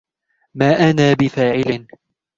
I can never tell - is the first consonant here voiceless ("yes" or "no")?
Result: no